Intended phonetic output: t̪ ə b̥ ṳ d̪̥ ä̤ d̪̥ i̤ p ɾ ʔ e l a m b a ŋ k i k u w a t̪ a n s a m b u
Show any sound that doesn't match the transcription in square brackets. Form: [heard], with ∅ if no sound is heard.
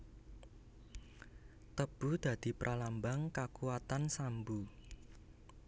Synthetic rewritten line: t̪ ə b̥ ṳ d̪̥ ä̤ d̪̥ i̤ p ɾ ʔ [a] l a m b a ŋ k [a] k u w a t̪ a n s a m b u